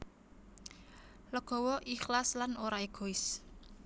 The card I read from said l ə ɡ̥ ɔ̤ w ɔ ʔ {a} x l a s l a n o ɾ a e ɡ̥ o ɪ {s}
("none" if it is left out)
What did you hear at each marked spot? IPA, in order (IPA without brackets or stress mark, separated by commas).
i, s